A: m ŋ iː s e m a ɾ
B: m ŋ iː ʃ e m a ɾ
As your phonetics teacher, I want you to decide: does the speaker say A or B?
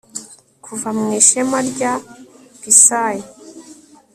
B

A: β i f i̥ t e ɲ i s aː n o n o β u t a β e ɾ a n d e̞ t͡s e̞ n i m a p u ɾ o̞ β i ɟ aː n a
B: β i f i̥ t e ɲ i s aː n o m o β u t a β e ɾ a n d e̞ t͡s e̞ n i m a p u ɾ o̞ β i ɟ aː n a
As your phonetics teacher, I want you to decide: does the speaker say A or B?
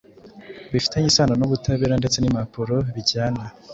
A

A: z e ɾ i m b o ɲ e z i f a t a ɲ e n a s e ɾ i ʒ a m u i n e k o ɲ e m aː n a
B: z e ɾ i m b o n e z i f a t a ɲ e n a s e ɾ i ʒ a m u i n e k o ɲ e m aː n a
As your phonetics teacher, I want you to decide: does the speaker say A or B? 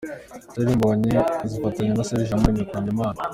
A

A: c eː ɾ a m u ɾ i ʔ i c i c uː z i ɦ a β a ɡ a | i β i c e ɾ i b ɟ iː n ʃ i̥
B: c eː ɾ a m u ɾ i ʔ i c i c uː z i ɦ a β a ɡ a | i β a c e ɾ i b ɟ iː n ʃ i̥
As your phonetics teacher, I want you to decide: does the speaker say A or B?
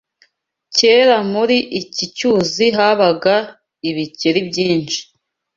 A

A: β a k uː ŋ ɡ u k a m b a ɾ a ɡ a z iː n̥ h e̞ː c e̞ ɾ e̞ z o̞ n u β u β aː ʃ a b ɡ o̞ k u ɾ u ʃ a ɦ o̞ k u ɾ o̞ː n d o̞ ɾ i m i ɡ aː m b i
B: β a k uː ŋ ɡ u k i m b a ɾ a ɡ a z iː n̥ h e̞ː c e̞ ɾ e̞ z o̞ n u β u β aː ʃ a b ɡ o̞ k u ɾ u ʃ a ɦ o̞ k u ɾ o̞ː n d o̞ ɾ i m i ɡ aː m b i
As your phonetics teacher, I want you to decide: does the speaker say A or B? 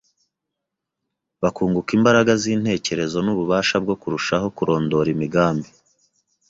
B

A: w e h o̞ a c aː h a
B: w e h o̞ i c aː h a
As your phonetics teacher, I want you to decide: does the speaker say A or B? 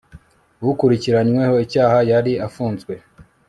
B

